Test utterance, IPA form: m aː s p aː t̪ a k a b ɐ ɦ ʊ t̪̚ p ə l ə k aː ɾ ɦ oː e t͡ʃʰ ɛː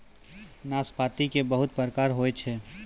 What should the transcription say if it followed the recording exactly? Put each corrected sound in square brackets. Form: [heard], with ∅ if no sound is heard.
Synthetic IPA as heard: [n] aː s p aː t̪ [i] k [e] b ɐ ɦ ʊ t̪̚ p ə [ɾ] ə k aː ɾ ɦ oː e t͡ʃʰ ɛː